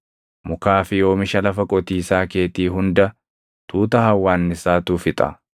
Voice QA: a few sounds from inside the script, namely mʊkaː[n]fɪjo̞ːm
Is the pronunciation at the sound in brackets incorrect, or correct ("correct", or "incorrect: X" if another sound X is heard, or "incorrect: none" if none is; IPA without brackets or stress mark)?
incorrect: none